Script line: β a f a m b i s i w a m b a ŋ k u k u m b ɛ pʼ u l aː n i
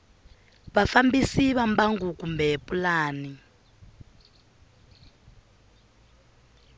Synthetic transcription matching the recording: β a f a m b i s i β a m b a ŋ ɡ u k u m b ɛ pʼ u l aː n i

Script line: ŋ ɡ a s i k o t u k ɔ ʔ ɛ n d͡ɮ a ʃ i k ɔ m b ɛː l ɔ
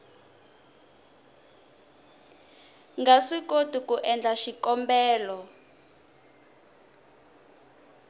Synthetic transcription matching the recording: ŋ ɡ a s i k o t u k u ʔ ɛ n d͡ɮ a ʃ i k ɔ m b ɛː l ɔ

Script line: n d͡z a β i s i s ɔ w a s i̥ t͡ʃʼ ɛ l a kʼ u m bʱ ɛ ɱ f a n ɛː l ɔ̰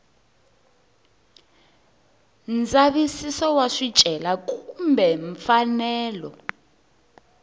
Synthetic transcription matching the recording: n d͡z a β i s i s ɔ w a ʂ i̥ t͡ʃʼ ɛ l a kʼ u m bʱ ɛ ɱ f a n ɛː l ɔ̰

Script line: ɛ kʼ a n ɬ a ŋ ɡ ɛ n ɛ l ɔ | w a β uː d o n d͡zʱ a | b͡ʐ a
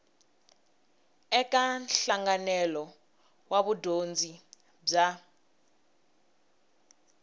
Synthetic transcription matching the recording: ɛ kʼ a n ɬ a ŋ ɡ a n ɛ l ɔ | w a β u d o n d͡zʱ i | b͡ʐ a

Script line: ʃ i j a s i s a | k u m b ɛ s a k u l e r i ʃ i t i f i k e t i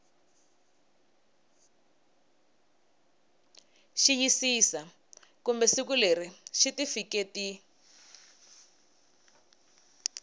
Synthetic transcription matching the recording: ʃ i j i s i s a | k u m b ɛ s i k u l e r i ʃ i t i f i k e t i

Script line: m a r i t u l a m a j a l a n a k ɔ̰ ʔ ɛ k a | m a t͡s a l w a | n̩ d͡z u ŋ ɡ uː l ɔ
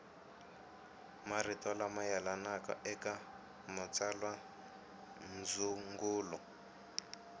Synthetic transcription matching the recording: m a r i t ɔ l a m a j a l a n a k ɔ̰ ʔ ɛ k a | m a t͡s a l w a | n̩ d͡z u ŋ ɡ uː l ɔ

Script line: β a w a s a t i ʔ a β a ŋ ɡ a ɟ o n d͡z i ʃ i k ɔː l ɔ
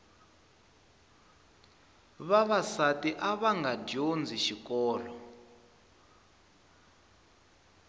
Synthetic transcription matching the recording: β a β a s a t i ʔ a β a ŋ ɡ a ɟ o n d͡z i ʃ i k ɔː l ɔ

